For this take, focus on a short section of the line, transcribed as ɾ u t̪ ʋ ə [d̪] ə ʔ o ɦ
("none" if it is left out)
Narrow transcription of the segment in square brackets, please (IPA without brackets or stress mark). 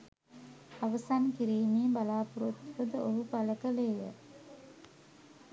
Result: d̪